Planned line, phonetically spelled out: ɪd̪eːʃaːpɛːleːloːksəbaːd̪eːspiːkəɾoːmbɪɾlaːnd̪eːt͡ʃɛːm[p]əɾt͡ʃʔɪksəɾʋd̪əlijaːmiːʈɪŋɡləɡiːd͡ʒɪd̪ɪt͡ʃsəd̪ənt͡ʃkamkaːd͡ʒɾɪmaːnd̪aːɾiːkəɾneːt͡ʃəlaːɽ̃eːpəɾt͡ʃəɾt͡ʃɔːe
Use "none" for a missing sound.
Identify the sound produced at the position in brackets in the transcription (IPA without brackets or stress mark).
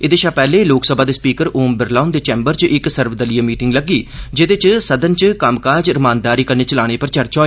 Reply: b